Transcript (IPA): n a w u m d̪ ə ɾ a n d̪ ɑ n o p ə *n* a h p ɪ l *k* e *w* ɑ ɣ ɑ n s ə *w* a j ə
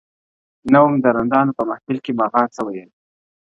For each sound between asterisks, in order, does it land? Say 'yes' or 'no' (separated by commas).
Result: no, yes, no, yes